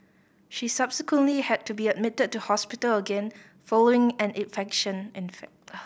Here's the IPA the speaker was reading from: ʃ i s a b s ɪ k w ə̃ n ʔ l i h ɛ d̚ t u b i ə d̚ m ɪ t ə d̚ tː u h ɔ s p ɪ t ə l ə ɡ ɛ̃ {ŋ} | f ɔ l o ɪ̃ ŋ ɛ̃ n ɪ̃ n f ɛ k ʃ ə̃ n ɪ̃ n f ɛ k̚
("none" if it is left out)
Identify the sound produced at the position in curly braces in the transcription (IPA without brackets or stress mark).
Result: n